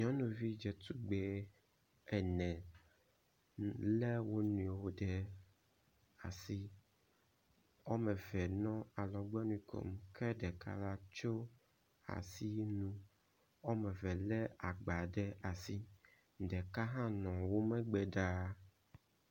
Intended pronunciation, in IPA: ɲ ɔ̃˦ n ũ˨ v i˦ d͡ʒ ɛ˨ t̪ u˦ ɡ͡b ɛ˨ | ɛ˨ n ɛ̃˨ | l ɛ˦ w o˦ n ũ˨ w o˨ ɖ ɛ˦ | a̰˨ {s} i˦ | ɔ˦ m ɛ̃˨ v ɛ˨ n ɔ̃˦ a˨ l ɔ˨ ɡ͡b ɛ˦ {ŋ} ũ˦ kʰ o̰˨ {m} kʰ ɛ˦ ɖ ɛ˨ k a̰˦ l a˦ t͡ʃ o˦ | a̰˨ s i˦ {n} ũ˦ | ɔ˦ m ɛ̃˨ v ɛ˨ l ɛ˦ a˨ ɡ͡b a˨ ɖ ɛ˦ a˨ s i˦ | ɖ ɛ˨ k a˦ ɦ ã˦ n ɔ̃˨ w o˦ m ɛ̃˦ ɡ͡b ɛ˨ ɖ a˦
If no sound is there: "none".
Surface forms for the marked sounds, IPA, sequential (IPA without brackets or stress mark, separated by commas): s, n, m, n